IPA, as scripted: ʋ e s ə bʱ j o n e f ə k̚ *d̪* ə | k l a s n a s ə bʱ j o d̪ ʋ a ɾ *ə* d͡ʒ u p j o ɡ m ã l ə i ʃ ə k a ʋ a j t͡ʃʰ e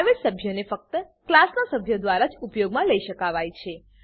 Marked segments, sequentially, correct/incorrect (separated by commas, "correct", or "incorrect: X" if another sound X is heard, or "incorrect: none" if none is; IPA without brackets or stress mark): incorrect: t̪, incorrect: a